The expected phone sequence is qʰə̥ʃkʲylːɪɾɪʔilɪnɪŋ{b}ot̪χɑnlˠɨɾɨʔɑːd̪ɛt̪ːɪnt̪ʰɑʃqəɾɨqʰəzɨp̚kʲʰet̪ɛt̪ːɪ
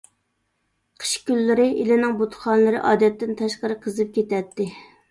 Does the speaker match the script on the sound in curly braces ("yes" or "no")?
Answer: yes